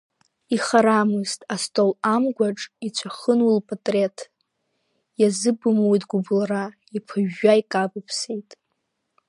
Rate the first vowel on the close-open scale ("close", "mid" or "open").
close